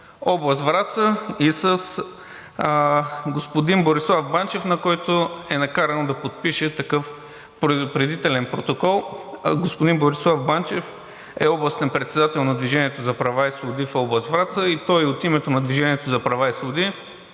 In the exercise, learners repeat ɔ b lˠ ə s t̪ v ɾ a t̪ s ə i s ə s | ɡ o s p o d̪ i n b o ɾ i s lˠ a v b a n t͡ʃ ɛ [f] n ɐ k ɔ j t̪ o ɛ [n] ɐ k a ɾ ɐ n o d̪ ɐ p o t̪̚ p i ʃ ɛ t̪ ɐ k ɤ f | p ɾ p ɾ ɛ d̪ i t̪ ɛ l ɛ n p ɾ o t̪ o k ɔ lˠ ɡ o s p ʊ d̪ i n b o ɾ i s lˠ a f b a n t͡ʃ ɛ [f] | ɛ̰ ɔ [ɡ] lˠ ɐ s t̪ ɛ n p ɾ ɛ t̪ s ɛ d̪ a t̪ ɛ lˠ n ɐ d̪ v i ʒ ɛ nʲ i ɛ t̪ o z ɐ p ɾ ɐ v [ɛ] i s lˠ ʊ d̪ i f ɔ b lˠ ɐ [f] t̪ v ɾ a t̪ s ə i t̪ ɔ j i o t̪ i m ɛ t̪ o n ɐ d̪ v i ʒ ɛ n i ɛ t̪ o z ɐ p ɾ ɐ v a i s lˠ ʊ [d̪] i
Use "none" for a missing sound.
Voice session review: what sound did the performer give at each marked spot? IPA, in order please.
f, n, f, b, a, s, d̪

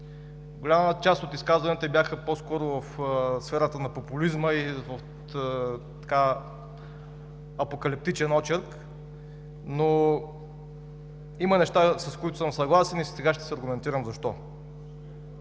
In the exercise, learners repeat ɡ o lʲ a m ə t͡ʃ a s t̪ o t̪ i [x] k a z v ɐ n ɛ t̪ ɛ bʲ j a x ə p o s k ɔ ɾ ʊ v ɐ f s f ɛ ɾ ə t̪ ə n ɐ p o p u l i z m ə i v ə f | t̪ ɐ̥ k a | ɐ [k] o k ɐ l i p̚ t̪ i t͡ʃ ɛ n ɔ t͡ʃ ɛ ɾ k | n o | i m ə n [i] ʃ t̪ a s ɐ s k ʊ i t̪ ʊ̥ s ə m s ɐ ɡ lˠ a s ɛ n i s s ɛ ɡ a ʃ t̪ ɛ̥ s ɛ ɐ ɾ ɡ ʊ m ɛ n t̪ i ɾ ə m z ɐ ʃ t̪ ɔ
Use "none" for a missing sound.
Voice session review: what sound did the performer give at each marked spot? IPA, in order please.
s, p, ɛ

